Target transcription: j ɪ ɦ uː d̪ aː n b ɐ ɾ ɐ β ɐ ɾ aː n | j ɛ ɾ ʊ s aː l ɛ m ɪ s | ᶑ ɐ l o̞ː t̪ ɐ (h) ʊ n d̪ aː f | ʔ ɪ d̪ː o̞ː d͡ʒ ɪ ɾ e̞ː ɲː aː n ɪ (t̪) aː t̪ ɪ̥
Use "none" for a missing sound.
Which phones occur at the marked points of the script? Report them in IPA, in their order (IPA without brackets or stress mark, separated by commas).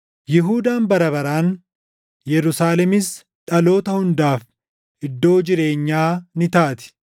h, t̪